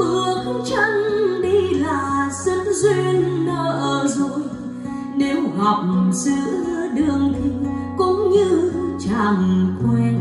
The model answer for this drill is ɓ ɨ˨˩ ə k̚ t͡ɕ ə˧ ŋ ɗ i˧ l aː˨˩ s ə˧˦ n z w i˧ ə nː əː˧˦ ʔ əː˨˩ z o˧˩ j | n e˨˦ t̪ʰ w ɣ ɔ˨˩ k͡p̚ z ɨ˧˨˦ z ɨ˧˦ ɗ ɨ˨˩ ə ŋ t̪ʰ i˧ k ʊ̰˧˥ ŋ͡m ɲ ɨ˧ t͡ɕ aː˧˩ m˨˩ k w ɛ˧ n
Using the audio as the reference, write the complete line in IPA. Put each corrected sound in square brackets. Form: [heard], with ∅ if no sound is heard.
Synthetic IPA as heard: ɓ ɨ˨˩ ə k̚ t͡ɕ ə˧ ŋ ɗ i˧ l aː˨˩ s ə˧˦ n z w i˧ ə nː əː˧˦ ʔ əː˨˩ z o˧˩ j | n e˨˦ [∅] w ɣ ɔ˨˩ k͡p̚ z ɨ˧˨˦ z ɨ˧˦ ɗ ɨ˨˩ ə ŋ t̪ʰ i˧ k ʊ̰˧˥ ŋ͡m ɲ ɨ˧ t͡ɕ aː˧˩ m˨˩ k w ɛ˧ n